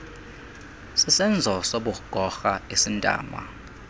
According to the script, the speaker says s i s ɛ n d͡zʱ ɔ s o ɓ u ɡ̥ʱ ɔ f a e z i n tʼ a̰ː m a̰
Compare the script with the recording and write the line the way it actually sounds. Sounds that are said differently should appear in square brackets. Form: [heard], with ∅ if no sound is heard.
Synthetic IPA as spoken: s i s ɛ n d͡zʱ ɔ s o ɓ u ɡ̥ʱ ɔ [x] a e [s] i n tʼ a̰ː m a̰